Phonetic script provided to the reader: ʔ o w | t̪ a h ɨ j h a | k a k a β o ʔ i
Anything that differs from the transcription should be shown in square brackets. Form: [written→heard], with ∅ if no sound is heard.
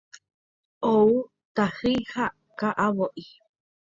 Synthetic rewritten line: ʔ o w | t̪ a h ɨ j h a | k a [k→ʔ] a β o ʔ i